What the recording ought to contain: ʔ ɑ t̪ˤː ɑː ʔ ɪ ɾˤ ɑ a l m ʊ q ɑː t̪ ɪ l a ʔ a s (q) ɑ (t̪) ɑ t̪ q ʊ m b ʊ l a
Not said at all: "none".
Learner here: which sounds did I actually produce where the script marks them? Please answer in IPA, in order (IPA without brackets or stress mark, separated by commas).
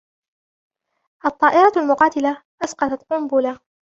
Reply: q, t̪